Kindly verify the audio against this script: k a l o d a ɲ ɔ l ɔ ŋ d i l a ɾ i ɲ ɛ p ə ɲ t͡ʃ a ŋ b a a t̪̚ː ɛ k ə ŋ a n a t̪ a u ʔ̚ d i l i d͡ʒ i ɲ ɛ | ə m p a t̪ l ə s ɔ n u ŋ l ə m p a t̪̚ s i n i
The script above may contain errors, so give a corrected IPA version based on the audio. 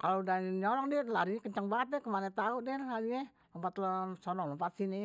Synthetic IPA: k a l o d a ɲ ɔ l ɔ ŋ d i l a ɾ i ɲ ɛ k ə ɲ t͡ʃ a ŋ b a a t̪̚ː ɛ k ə m a n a t̪ a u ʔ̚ d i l a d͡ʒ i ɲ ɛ | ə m p a t̪ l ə s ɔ n ɔ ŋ l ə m p a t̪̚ s i n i

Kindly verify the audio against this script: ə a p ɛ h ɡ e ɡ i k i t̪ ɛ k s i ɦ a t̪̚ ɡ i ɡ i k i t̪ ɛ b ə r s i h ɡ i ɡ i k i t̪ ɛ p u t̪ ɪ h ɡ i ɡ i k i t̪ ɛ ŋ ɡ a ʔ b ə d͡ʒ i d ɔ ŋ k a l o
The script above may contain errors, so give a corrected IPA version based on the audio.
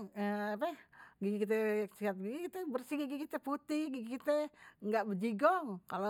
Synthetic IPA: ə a p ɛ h ɡ i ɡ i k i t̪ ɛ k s i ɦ a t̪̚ ɡ i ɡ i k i t̪ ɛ b ə r s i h ɡ i ɡ i k i t̪ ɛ p u t̪ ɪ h ɡ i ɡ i k i t̪ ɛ ŋ ɡ a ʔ b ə d͡ʒ i ɡ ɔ ŋ k a l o

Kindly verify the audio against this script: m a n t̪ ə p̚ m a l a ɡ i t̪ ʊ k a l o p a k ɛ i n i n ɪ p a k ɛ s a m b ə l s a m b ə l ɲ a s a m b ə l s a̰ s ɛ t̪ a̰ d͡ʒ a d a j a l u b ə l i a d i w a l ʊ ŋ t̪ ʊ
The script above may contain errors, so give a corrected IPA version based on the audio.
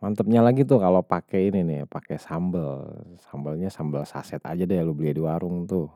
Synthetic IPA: m a n t̪ ə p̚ ɲ a l a ɡ i t̪ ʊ k a l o p a k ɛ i n i n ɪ p a k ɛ s a m b ə l s a m b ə l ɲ a s a m b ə l s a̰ s ɛ t̪ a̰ d͡ʒ a d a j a l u b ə l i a d i w a ɾ ʊ ŋ t̪ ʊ

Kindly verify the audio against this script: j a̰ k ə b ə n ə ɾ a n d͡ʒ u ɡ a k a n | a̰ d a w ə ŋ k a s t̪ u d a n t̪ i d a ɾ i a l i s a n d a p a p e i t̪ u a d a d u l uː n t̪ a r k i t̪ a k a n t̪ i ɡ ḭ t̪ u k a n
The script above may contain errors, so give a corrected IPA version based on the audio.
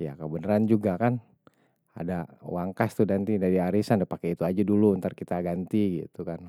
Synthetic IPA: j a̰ k ə b ə n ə ɾ a n d͡ʒ u ɡ a k a n | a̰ d a w a ŋ k a s t̪ u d a n t̪ i d a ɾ i a ɾ i s a n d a p a k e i t̪ u a d͡ʒ a d u l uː n t̪ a r k i t̪ a ɡ a n t̪ i ɡ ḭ t̪ u k a n

